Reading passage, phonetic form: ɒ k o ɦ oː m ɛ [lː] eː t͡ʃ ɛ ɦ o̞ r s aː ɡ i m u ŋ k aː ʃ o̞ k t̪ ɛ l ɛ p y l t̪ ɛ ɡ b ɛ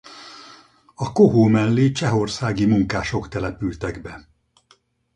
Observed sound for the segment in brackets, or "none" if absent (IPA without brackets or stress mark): lː